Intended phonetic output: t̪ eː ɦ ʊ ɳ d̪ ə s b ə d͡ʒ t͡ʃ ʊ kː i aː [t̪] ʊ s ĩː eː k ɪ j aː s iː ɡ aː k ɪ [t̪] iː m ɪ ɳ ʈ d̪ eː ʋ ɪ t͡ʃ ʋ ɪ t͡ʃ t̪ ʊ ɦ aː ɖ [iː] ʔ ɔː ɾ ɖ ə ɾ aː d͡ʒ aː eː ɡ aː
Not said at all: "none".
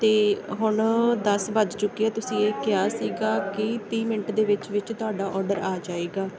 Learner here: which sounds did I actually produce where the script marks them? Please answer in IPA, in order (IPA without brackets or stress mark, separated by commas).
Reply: t̪, t̪, aː